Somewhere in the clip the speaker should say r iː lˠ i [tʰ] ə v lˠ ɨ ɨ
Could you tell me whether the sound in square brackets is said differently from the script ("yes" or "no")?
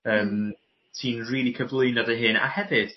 yes